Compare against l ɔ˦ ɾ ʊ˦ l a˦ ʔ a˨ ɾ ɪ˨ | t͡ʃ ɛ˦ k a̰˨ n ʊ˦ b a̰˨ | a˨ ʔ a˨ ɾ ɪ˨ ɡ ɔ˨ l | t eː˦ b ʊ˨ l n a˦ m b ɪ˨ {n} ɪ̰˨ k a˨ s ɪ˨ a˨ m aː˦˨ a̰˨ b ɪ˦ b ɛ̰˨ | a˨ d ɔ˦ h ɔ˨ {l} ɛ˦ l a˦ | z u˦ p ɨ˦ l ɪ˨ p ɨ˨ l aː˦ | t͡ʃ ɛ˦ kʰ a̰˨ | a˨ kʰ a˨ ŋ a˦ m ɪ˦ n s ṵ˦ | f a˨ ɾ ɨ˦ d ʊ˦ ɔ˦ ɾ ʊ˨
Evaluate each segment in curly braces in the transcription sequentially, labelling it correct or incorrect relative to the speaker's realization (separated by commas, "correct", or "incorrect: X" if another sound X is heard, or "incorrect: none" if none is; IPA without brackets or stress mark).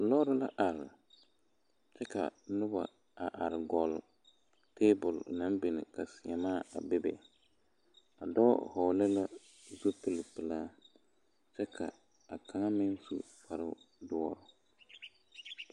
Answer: correct, correct